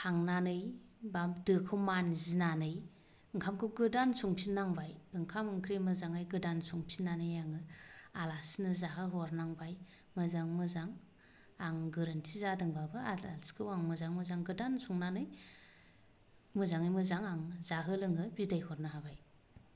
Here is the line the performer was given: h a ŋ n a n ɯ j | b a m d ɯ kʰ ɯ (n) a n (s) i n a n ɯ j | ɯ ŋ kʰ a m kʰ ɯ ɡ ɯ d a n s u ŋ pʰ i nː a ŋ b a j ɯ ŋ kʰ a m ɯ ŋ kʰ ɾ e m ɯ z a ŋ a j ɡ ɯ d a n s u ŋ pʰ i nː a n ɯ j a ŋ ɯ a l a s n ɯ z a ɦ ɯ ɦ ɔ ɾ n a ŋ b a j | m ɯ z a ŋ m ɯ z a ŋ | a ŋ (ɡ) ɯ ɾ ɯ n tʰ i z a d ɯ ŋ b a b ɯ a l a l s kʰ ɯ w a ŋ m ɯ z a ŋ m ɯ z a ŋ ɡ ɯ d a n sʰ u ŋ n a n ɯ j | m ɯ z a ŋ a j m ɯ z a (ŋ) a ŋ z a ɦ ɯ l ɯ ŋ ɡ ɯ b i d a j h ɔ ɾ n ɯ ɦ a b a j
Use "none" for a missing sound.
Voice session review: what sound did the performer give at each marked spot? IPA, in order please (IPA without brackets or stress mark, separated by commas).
m, z, ɡ, ŋ